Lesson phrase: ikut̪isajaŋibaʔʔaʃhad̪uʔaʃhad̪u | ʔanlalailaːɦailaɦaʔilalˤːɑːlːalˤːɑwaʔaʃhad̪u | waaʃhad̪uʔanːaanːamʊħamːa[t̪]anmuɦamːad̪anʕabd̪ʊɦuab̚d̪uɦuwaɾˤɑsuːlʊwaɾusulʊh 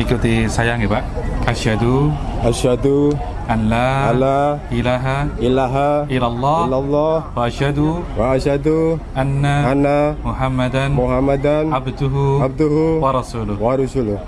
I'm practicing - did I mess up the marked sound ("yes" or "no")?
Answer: yes